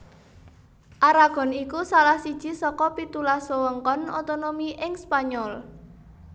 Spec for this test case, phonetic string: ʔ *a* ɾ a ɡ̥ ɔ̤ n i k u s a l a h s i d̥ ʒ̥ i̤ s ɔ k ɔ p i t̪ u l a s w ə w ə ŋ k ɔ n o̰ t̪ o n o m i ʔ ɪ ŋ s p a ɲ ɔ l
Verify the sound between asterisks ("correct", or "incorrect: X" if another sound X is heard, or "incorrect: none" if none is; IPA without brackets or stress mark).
correct